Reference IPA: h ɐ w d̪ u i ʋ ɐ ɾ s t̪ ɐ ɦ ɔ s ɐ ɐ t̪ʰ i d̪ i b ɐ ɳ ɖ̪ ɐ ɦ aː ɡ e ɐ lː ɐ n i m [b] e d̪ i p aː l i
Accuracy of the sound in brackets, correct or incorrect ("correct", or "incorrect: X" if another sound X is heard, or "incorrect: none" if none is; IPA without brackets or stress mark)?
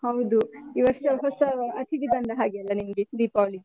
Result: incorrect: ɡ